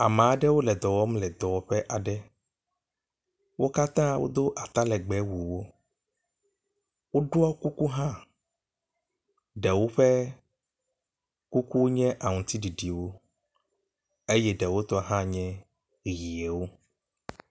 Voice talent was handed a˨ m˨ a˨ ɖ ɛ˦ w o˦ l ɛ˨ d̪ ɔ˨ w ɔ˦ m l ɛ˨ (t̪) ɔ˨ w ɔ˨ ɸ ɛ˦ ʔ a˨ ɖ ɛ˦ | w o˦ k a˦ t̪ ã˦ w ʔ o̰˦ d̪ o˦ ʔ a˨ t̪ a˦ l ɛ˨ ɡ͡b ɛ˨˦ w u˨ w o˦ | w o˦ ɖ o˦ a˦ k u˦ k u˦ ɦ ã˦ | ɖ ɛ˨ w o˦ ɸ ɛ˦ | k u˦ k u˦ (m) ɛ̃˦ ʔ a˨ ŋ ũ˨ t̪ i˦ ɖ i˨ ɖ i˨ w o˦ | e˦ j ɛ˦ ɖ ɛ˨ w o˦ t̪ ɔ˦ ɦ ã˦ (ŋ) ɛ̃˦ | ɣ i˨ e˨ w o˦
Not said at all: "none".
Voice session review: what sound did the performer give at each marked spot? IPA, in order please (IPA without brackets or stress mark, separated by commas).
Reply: d̪, ɲ, ɲ